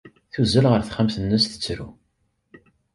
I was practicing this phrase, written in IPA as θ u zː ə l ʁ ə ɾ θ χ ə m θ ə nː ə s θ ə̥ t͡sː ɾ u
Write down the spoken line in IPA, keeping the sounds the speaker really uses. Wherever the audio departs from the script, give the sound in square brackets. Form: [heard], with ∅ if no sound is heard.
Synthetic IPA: θ u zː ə l ʁ ə ɾ θ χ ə m θ ə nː ə s θ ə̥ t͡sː ɾ u